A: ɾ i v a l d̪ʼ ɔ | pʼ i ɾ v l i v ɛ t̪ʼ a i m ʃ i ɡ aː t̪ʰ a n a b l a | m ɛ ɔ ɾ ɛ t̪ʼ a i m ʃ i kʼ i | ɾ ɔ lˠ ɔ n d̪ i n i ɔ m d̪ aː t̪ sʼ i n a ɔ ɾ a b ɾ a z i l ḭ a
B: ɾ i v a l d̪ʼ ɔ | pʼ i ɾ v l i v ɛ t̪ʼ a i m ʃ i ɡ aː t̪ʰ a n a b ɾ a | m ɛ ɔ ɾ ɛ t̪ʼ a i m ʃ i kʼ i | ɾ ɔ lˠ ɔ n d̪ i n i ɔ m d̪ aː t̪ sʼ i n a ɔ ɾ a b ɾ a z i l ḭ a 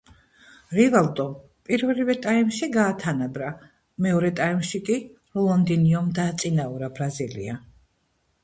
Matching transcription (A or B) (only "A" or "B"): B